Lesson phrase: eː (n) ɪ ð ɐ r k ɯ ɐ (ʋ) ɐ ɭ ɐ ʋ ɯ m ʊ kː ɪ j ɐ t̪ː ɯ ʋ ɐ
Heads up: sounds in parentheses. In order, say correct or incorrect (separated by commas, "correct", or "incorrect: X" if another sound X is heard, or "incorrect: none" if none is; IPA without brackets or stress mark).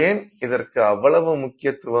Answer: correct, incorrect: ʋː